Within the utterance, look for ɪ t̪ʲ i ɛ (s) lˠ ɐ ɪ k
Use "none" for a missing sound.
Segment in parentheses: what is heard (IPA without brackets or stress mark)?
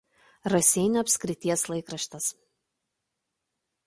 s